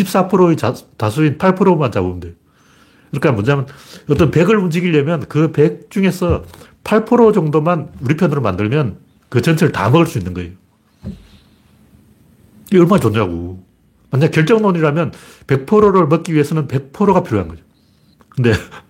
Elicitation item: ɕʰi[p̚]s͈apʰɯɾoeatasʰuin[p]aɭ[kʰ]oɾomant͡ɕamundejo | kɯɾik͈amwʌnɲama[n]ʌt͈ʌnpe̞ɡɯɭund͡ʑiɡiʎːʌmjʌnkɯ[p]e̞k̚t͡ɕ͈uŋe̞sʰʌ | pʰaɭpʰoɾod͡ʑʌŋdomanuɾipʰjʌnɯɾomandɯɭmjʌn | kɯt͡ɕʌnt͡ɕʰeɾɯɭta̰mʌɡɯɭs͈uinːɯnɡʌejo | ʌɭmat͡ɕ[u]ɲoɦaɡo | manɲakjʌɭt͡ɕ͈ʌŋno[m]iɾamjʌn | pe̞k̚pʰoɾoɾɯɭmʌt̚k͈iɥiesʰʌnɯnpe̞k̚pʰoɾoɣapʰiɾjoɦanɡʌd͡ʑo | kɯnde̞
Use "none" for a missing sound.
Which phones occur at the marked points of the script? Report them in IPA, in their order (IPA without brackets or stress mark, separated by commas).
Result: p̚, pʰ, pʰ, n, p, o, ɲ